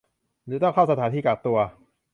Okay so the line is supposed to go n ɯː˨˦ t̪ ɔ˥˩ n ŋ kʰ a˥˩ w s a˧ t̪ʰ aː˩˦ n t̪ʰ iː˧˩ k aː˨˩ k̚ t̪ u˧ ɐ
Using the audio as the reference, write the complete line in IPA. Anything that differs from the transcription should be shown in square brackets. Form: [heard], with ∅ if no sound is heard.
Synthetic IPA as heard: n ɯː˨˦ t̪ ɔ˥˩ [∅] ŋ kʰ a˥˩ w s a˧ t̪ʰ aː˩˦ n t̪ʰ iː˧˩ k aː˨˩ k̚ t̪ u˧ ɐ